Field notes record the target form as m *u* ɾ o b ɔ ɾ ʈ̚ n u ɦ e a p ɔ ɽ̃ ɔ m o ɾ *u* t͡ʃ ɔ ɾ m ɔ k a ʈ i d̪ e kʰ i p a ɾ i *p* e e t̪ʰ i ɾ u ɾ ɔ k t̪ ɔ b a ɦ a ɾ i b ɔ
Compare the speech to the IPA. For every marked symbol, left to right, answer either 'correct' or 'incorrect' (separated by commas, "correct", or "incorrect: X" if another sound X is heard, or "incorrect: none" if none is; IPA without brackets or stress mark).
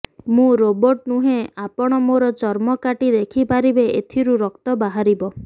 incorrect: ũ, incorrect: ɔ, incorrect: b